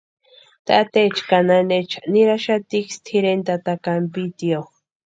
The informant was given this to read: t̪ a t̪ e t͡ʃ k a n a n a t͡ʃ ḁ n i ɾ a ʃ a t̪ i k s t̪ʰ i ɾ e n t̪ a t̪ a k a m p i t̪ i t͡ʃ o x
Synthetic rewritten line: t̪ a t̪ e t͡ʃ k a n a n e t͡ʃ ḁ n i ɾ a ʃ a t̪ i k s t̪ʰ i ɾ e n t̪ a t̪ a k a m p i t̪ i o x